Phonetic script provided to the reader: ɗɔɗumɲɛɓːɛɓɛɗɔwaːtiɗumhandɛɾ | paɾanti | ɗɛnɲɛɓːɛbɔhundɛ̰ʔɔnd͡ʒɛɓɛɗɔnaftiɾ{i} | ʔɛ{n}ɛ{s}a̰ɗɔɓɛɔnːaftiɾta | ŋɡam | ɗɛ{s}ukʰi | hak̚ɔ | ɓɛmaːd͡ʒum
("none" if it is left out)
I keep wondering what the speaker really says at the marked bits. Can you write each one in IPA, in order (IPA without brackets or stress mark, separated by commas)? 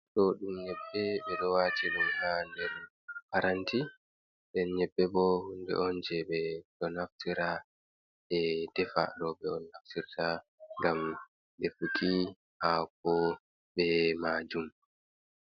a, d, f, f